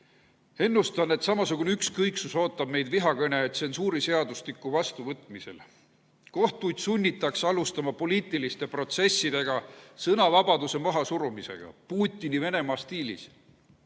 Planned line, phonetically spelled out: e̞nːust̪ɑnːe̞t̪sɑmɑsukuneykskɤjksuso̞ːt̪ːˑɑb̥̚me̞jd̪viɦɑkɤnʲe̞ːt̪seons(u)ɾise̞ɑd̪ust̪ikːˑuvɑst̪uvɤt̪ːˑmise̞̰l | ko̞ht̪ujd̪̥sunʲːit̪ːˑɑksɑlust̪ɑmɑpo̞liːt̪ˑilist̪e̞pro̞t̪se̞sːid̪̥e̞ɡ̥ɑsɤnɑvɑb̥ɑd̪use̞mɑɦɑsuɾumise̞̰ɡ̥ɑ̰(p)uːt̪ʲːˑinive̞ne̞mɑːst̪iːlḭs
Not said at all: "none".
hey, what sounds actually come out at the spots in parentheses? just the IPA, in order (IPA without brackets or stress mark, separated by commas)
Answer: uː, p